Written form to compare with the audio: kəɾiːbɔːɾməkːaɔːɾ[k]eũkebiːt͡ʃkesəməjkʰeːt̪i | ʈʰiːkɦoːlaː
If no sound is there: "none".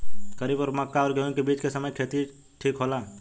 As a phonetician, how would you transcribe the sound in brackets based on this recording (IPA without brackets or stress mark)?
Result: ɡ